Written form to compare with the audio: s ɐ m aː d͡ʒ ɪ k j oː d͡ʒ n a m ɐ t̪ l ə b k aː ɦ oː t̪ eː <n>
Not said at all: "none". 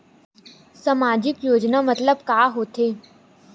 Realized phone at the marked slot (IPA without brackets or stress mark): none